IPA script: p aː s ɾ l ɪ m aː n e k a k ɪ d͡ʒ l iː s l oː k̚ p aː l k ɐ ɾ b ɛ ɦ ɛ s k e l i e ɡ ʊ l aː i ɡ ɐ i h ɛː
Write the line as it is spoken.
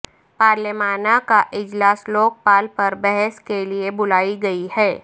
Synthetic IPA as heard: p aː ɾ l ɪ m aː n a k a ʔ ɪ d͡ʒ l aː s l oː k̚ p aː l p ɐ ɾ b ɛ ɦ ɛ s k e l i e b ʊ l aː i ɡ ɐ i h ɛː

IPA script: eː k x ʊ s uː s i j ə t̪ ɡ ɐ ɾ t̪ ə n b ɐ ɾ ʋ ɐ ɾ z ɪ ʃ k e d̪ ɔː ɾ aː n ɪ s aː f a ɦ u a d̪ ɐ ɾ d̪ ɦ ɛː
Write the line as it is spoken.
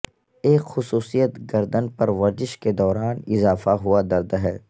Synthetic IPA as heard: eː k x ʊ s uː s i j ə t̪ ɡ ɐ ɾ d̪ ə n p ɐ ɾ ʋ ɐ ɾ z ɪ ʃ k e d̪ ɔː ɾ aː n ɪ z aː f a ɦ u a d̪ ɐ ɾ d̪ ɦ ɛː

